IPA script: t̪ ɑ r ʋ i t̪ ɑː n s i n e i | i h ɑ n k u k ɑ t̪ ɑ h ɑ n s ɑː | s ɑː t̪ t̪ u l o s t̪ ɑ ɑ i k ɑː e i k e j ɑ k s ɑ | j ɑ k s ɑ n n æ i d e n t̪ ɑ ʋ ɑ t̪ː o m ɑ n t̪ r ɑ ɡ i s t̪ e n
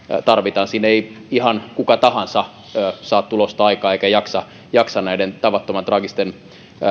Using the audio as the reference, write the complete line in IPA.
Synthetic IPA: t̪ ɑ r ʋ i t̪ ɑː n s i n e i | i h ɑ n k u k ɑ t̪ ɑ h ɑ n s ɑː | s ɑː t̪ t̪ u l o s t̪ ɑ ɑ i k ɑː e i k æ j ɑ k s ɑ | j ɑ k s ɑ n n æ i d e n t̪ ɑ ʋ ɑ t̪ː o m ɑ n t̪ r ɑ ɡ i s t̪ e n

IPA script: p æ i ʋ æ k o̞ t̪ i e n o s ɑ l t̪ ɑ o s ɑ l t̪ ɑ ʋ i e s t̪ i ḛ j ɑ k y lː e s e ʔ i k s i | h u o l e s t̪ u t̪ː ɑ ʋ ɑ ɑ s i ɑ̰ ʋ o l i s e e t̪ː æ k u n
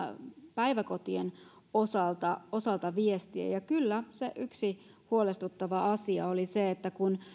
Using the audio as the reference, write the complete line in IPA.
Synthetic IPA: p æ i ʋ æ k o̞ t̪ i e n o s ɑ l t̪ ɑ o s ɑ l t̪ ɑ ʋ i e s t̪ i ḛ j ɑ k y lː æ s e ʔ y k s i | h u o l e s t̪ u t̪ː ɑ ʋ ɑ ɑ s i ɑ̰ o l i s e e t̪ː æ k u n

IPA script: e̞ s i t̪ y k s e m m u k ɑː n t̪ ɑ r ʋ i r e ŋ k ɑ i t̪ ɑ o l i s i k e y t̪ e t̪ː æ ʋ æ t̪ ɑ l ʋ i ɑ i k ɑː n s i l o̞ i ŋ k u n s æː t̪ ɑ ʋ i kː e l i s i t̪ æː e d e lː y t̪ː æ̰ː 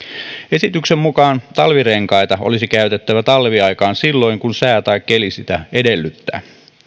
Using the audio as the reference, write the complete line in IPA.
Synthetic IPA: e̞ s i t̪ y k s e m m u k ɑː n t̪ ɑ l ʋ i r e ŋ k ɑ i t̪ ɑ o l i s i k æ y t̪ e t̪ː æ ʋ æ t̪ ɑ l ʋ i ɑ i k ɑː n s i lː o̞ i ŋ k u n s æː t̪ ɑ i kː e l i s i t̪ æ e d e lː y t̪ː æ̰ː

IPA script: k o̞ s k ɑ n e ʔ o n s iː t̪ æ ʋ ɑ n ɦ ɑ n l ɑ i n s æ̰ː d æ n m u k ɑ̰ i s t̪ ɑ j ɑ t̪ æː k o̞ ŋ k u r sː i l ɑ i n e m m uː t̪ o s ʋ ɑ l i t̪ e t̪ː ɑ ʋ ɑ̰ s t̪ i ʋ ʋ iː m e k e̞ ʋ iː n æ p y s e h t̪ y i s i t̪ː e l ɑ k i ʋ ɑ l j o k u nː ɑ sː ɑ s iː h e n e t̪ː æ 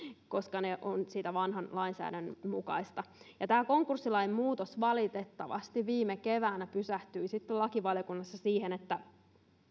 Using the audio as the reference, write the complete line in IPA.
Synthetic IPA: k o̞ s k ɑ n e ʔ o n s iː t̪ æ ʋ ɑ n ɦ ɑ n l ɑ i n s æ̰ː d æ n m u k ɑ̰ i s t̪ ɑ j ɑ t̪ æː k o̞ ŋ k u r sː i l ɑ i n e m m uː t̪ o s ʋ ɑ l i t̪ e t̪ː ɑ ʋ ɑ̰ s t̪ i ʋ ʋ iː m e k e̞ ʋ æː n æ p y s æ h t̪ y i s i t̪ː e l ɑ k i ʋ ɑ l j o k u nː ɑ sː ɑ s iː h e n e t̪ː æ

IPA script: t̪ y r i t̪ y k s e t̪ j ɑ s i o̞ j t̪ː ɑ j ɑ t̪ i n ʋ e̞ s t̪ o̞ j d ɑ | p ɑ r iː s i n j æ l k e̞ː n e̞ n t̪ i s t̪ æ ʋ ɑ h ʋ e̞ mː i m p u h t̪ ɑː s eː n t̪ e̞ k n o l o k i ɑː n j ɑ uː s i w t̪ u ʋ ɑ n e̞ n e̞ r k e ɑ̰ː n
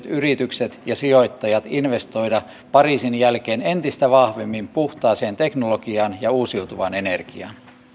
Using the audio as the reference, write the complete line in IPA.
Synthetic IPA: t̪ y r i t̪ y k s e t̪ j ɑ s i o̞ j t̪ː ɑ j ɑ t̪ i n ʋ e̞ s t̪ o̞ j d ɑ | p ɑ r iː s i n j æ l k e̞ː n e̞ n t̪ i s t̪ æ ʋ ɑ h ʋ e̞ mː i m p u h t̪ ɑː s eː n t̪ e̞ k n o l o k i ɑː n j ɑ uː s i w t̪ u ʋ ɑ n e̞ n e̞ r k i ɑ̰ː n

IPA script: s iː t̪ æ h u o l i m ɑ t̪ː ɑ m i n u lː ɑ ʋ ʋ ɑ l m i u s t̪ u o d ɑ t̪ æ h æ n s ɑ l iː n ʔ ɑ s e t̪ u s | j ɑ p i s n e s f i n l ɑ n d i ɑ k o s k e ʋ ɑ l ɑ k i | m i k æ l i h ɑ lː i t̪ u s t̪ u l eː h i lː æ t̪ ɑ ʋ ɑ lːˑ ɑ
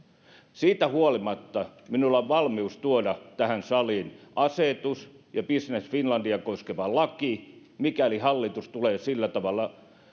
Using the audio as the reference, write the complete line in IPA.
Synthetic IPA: s iː t̪ æ h u o l i m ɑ t̪ː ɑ m i n u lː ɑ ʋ ʋ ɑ l m i u s t̪ u o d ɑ t̪ æ h æ n s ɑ l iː n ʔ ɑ s e t̪ u s | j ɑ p i s n e s f i n l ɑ n d i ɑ k o s k e ʋ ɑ l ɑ k i | m i k æ l i h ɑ lː i t̪ u s t̪ u l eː s i lː æ t̪ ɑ ʋ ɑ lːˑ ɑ

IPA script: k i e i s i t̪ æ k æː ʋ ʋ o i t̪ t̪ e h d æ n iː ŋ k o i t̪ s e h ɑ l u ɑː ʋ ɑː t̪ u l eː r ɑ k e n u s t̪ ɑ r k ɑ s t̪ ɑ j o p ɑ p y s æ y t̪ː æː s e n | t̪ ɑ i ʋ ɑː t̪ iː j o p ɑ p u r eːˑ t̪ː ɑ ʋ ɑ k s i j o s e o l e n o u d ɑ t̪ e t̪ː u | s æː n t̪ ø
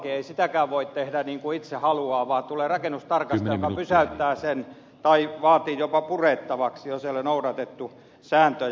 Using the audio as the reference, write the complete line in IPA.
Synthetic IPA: k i e i s i t̪ æ k æː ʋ ʋ o i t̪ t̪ e h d æ n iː ŋ k u i t̪ s e h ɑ l u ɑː ʋ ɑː t̪ u l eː r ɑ k e n u s t̪ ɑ r k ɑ s t̪ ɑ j o k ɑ p y s æ y t̪ː æː s e n | t̪ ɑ i ʋ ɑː t̪ iː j o p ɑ p u r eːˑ t̪ː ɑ ʋ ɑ k s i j o s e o l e n o u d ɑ t̪ e t̪ː u | s æː n t̪ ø

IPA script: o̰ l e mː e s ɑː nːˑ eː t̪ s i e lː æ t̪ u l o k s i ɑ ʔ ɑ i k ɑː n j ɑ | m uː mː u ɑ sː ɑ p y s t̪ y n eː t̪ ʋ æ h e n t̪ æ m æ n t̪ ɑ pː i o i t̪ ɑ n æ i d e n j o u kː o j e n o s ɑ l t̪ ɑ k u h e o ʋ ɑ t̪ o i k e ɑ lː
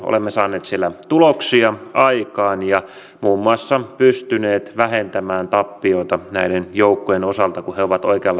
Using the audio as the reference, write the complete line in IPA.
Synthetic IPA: o̰ l e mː e s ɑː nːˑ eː t̪ s i e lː æ t̪ u l o k s i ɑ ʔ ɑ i k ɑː n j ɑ | m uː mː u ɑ sː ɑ p y s t̪ y n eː t̪ ʋ æ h e n t̪ æ m æː n t̪ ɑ pː i o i t̪ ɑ n æ i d e n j o u kː o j e n o s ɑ l t̪ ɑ k u h e o ʋ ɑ t̪ o i k e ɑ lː

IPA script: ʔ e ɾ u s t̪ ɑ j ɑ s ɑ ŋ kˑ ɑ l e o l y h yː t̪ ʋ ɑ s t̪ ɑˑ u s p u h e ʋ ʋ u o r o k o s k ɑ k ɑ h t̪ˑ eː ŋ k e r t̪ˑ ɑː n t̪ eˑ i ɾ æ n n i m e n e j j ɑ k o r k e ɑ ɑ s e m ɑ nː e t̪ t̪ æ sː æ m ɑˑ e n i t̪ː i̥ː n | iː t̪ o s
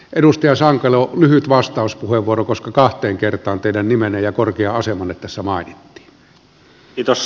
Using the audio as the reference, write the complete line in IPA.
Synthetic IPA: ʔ e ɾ u s t̪ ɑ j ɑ s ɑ ŋ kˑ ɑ l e o l y h y t̪ ʋ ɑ s t̪ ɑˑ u s p u h e ʋ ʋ u o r o k o s k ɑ k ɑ h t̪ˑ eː ŋ k e r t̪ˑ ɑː n t̪ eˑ i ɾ æ n n i m e n e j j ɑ k o r k e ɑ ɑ s e m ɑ nː e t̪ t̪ æ sː æ m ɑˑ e n i t̪ː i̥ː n | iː t̪ o s

